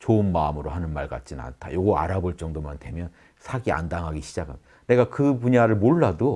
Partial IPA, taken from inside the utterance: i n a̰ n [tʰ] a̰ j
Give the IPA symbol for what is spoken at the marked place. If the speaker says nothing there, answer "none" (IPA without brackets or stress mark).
tʰ